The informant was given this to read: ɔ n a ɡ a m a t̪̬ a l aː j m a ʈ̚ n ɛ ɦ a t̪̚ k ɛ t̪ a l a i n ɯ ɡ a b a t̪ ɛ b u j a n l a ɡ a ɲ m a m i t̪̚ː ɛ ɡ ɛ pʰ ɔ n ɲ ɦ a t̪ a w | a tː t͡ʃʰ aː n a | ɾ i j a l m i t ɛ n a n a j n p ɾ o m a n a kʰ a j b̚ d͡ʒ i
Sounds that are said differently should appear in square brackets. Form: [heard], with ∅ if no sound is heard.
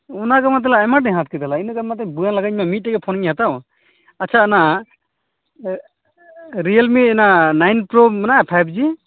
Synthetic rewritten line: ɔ n a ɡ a m a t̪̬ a l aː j m a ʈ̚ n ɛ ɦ a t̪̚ k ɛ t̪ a l a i n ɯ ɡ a [m] a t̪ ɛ b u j a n l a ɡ a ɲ m a m i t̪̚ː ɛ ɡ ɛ pʰ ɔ n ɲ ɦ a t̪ a w | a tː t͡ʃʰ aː n a | ɾ i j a l m i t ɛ n a n a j n p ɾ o m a n a [pʰ] a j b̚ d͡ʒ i